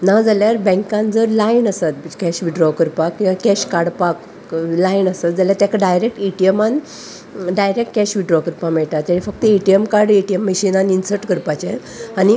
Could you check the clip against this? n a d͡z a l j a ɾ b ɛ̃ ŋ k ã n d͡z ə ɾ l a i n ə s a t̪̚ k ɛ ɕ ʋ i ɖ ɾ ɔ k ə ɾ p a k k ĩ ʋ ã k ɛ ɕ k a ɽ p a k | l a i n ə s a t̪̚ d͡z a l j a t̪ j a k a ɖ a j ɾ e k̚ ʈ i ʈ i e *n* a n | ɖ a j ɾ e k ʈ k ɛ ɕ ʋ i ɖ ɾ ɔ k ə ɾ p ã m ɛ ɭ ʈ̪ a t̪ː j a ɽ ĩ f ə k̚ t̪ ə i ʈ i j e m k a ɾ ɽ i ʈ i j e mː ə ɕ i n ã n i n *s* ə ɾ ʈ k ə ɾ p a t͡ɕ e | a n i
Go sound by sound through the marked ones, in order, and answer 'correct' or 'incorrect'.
incorrect: m, correct

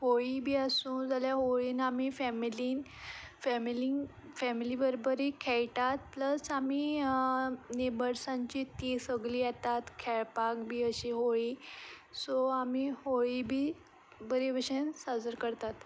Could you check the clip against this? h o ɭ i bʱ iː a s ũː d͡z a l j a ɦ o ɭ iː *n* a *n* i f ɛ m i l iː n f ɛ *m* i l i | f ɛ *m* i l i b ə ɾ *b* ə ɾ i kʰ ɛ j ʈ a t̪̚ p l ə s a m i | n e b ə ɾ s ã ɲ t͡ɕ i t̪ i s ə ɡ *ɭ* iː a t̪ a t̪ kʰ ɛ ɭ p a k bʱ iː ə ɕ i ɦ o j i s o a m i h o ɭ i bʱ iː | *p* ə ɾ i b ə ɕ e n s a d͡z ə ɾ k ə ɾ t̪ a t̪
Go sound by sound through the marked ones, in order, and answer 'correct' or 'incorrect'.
correct, incorrect: m, correct, correct, correct, incorrect: l, incorrect: b

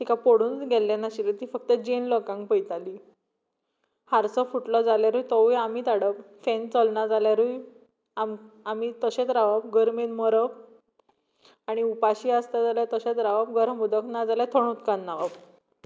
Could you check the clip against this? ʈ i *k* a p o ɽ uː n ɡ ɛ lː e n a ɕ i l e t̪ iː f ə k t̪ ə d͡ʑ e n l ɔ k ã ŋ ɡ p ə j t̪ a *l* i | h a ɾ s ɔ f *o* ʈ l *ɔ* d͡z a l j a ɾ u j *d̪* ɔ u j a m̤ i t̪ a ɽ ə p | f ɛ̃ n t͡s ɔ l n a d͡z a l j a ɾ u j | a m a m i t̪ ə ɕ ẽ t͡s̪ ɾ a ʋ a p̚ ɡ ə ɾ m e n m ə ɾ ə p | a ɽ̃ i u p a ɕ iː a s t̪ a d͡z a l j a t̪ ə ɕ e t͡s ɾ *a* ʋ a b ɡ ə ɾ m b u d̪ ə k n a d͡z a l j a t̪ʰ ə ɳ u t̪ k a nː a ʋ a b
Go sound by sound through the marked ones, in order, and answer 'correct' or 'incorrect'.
correct, correct, incorrect: u, correct, incorrect: t̪, correct

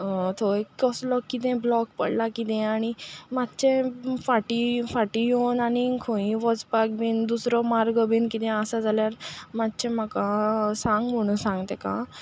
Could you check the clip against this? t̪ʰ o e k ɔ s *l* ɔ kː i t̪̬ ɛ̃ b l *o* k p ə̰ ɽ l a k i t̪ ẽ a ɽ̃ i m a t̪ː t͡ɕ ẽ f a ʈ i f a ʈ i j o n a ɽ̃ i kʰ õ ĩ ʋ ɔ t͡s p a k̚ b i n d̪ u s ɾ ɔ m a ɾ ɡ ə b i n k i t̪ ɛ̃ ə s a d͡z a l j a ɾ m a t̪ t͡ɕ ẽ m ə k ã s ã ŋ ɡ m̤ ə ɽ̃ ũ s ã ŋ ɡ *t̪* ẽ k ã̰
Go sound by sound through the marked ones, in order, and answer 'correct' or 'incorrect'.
correct, incorrect: ɔ, correct

